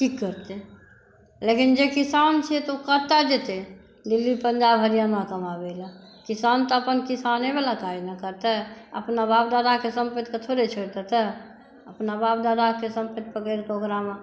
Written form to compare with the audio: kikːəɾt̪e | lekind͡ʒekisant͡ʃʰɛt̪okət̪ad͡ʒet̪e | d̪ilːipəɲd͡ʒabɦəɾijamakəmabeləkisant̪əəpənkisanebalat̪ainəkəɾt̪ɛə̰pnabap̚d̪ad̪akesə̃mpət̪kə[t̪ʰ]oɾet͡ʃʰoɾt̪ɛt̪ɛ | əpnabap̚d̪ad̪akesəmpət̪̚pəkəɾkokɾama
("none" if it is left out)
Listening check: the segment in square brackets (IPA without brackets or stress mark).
t̪ʰ